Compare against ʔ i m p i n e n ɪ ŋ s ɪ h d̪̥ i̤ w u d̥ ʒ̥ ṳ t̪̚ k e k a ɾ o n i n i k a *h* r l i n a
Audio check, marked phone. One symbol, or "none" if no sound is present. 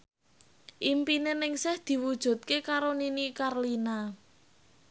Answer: none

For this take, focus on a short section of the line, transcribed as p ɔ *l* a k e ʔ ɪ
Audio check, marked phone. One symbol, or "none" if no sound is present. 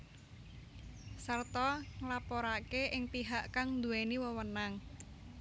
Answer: ɾ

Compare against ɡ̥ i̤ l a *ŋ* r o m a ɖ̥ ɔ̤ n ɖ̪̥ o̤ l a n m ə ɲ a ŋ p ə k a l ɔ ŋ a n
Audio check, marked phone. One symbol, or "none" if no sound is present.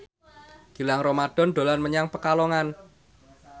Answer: ŋ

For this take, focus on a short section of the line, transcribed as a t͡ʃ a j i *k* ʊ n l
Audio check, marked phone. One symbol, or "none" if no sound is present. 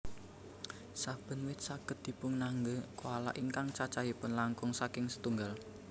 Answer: p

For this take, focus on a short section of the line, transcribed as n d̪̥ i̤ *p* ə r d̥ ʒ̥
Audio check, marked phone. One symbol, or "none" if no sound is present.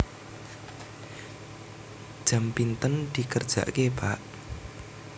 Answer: k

